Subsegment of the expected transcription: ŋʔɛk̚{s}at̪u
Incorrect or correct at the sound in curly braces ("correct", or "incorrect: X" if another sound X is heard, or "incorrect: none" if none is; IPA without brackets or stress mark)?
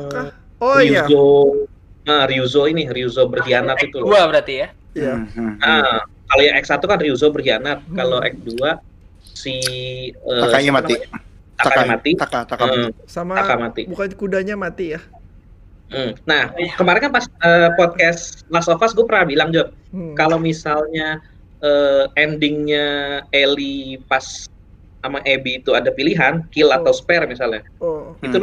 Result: correct